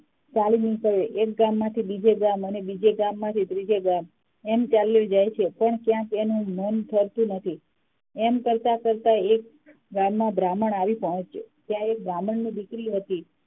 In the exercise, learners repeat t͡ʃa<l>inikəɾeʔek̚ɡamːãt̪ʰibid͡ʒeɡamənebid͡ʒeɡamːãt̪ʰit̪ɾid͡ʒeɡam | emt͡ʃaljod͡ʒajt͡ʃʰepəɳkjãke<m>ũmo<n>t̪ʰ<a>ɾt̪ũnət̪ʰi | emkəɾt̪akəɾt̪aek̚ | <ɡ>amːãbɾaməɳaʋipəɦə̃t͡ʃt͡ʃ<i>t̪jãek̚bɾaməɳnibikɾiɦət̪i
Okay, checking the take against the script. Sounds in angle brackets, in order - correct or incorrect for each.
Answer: correct, incorrect: n, correct, incorrect: ə, correct, incorrect: e

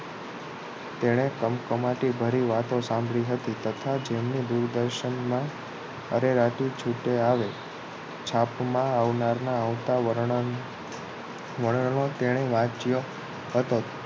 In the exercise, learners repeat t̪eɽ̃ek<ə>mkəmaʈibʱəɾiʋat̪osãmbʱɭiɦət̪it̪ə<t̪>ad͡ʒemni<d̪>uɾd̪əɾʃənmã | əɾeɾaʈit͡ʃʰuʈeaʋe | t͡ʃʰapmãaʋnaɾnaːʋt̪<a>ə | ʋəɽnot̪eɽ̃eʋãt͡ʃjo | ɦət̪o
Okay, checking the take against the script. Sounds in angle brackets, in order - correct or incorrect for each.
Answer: correct, incorrect: t̪ʰ, correct, correct

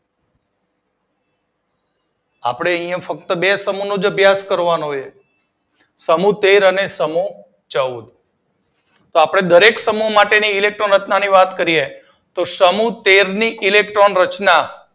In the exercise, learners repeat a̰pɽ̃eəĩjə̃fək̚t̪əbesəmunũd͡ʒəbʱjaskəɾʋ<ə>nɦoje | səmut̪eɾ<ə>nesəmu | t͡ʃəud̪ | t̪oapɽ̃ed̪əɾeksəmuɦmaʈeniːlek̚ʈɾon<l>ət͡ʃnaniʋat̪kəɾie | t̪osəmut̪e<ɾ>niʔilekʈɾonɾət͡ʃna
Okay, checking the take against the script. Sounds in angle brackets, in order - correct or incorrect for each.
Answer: incorrect: a, correct, incorrect: ɾ, correct

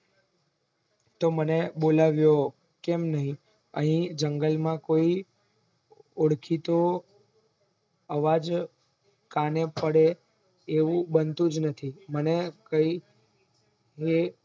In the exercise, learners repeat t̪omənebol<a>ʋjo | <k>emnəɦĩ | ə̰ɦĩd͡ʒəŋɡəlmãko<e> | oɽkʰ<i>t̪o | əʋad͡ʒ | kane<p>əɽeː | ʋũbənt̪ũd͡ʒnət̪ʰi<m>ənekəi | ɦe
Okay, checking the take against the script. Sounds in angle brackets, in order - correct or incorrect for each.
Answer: correct, correct, incorrect: i, correct, correct, correct

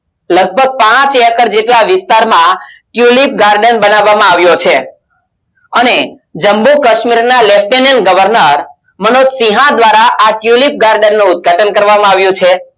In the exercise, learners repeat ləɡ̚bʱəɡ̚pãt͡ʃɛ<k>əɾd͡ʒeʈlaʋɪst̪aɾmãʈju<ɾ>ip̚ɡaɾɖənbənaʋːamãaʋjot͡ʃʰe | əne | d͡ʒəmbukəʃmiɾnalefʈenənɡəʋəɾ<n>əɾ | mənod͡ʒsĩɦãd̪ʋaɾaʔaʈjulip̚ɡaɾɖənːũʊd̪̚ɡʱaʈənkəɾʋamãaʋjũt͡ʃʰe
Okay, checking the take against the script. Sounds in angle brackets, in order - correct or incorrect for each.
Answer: correct, incorrect: l, correct

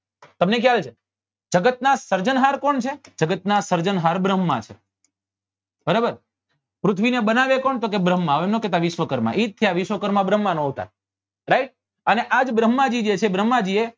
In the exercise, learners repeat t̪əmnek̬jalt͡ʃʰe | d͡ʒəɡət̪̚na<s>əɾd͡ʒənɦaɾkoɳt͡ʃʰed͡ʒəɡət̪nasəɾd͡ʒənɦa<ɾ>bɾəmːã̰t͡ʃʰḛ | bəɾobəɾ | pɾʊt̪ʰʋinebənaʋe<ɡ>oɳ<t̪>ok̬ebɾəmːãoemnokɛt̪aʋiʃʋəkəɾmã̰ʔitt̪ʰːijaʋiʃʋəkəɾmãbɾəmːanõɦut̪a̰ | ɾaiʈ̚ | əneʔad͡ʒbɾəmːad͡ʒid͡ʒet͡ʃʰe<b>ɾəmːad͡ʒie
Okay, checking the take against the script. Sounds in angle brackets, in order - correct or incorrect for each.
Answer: correct, correct, incorrect: k, correct, correct

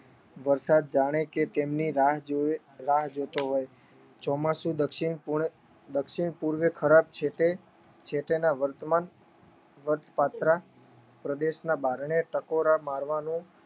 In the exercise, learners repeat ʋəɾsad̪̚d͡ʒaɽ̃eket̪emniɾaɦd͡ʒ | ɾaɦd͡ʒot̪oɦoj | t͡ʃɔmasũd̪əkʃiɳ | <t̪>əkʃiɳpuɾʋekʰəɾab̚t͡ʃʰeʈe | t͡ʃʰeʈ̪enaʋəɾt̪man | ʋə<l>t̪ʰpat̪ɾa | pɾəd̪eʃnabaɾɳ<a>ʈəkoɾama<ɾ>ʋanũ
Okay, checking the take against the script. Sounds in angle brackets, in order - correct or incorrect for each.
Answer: incorrect: d̪, incorrect: ɾ, incorrect: e, correct

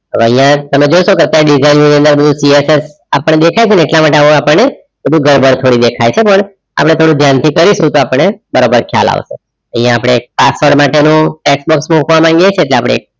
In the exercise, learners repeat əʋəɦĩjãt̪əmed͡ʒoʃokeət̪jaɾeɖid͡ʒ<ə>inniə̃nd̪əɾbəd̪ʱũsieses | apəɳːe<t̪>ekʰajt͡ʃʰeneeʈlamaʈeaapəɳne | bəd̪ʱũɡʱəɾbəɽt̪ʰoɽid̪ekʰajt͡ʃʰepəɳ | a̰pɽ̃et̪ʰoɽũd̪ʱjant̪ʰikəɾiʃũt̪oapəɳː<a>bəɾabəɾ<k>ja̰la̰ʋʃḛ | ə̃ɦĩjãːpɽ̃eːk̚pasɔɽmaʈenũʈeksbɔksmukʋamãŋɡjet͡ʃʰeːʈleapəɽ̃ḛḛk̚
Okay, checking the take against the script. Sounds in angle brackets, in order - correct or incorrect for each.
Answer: incorrect: a, incorrect: d̪, incorrect: e, incorrect: kʰ

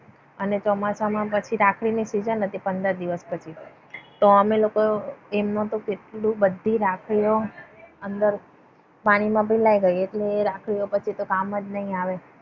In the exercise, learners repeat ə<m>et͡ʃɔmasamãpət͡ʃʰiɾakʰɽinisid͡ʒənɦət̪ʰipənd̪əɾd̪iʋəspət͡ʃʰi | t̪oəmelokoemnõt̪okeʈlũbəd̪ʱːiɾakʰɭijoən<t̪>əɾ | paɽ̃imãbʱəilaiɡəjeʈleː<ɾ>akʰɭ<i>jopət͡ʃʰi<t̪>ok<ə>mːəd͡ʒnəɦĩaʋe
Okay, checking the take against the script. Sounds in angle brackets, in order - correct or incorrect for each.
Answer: incorrect: n, incorrect: d̪, correct, correct, correct, incorrect: a

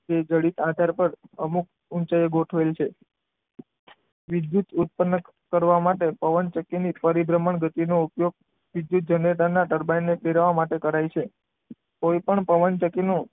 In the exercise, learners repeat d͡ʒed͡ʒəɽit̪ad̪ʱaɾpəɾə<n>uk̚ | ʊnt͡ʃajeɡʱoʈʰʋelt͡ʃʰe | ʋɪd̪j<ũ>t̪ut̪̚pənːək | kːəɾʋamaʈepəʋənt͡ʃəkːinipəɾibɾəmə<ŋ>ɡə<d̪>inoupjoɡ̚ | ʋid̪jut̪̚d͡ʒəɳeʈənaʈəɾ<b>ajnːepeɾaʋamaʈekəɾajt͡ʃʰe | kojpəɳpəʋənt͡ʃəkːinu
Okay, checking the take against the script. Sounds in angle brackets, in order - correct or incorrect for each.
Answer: incorrect: m, incorrect: u, incorrect: ɳ, incorrect: t̪, correct

